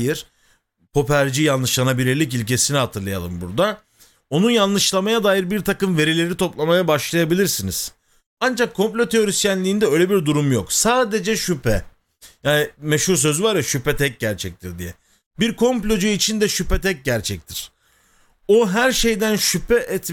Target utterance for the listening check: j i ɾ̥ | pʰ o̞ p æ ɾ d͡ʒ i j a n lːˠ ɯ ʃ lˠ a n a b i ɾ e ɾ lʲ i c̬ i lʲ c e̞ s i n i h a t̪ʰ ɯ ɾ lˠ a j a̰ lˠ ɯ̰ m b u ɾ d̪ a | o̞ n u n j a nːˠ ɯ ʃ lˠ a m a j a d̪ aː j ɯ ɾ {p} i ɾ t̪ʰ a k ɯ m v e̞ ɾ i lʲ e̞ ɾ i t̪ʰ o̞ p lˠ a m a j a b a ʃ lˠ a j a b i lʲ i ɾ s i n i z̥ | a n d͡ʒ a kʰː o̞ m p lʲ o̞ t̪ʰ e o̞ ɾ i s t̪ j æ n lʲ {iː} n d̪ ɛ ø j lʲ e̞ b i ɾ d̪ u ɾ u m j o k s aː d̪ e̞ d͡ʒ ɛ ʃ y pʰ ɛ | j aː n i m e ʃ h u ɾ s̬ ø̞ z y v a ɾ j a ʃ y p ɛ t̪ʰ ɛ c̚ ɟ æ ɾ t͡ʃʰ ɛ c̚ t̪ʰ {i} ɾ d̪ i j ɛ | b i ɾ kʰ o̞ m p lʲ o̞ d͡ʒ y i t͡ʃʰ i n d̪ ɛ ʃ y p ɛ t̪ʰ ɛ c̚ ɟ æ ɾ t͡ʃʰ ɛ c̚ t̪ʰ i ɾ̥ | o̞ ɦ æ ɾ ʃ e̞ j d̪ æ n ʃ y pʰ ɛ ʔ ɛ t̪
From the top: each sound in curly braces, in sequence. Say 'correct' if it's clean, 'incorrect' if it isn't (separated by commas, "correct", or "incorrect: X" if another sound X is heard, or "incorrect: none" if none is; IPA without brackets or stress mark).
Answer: incorrect: b, correct, correct